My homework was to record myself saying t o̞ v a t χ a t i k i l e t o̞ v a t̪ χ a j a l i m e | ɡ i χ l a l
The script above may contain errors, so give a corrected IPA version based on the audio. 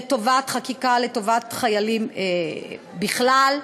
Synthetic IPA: t o̞ v a t χ a k i k a l e t o̞ v a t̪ χ a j a l i m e | b i χ l a l

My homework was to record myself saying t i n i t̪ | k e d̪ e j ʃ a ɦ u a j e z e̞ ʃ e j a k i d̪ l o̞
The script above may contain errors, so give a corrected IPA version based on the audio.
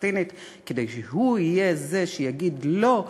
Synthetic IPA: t i n i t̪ | k e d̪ e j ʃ e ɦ u i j e z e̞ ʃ e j a ɡ i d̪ l o̞

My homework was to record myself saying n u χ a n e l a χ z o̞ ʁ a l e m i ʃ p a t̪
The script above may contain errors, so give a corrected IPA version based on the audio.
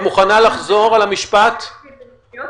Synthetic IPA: m u χ a n a l a χ z o̞ ʁ a l a m i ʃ p a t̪

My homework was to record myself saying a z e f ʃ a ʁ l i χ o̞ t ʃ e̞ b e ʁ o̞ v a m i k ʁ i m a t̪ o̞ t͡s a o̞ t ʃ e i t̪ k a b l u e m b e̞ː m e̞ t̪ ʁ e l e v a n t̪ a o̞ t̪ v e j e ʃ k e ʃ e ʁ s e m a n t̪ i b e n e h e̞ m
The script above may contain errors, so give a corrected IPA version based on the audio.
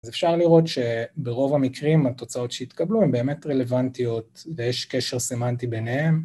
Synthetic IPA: a z e f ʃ a ʁ l i ʁ o̞ t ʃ e̞ b e ʁ o̞ v a m i k ʁ i m a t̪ o̞ t͡s a o̞ t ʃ e i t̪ k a b l u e m b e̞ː m e̞ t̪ ʁ e l e v a n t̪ i o̞ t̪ v e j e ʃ k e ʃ e ʁ s e m a n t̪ i b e n e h e̞ m

